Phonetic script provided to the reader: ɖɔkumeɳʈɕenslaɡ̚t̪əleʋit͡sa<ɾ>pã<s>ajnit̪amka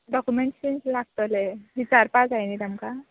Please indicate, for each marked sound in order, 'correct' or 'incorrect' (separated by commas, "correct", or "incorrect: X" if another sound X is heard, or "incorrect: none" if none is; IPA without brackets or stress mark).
correct, incorrect: t͡s